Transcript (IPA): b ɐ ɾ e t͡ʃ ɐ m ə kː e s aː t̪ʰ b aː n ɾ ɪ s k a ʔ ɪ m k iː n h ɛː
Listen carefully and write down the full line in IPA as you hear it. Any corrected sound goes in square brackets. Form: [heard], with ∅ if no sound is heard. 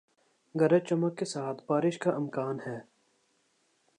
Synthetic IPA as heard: [ɡ] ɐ ɾ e t͡ʃ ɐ m ə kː e s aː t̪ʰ b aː [∅] ɾ ɪ [ʃ] k a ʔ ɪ m k [aː] n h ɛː